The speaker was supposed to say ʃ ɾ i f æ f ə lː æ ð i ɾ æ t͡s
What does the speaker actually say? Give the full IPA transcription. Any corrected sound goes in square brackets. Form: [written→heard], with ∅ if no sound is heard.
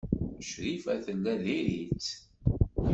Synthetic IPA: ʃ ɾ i f æ [f→θ] ə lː æ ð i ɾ [æ→i] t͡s